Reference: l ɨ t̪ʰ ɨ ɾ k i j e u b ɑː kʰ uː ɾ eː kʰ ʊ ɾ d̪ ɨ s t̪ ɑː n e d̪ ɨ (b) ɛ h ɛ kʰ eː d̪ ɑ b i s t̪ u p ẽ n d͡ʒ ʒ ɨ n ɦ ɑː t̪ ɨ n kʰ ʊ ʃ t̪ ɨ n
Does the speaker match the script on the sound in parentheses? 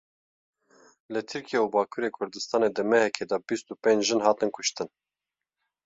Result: no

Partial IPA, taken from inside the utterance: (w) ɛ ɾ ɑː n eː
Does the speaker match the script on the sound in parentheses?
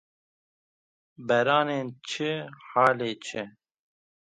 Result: no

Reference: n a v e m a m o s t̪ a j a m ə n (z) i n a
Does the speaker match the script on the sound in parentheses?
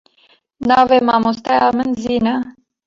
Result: yes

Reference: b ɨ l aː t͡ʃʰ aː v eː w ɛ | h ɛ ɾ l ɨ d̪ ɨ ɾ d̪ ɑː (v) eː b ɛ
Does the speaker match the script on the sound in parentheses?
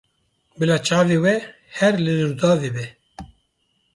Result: yes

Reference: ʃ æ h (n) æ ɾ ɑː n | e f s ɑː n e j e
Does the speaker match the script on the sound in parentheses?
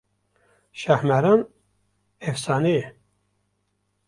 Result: no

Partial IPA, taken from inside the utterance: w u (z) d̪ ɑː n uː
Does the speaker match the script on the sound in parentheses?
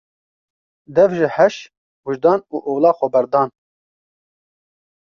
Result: no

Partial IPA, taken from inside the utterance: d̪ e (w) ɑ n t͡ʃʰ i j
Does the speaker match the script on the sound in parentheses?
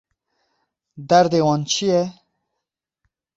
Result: yes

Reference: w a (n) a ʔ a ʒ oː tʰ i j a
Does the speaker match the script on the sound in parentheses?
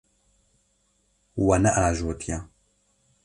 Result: yes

